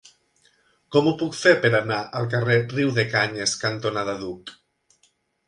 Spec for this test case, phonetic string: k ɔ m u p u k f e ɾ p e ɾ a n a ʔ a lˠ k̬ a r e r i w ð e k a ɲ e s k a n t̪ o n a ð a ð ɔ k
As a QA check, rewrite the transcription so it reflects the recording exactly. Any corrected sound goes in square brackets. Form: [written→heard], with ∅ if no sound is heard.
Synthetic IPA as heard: k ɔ m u p u k f e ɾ p e ɾ a n a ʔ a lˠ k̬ a r e r i w ð e k a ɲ e s k a n t̪ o n a ð a ð [ɔ→u] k